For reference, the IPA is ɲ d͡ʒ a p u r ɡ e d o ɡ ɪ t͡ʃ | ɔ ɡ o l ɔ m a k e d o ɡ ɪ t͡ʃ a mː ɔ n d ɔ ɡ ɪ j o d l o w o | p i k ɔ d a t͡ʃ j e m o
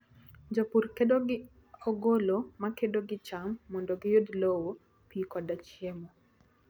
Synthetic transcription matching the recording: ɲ d͡ʒ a p u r k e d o ɡ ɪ | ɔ ɡ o l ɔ m a k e d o ɡ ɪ t͡ʃ a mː ɔ n d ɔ ɡ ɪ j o d l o w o | p i k ɔ d a t͡ʃ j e m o